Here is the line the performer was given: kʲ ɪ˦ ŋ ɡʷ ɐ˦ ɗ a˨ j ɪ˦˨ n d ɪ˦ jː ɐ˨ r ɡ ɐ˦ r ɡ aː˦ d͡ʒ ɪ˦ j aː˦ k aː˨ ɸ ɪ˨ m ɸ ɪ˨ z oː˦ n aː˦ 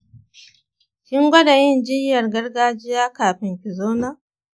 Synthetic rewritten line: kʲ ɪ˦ ŋ ɡʷ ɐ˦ d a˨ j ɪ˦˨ n d͡ʒ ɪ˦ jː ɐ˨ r ɡ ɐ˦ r ɡ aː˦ d͡ʒ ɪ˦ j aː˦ k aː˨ ɸ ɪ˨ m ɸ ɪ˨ z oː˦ n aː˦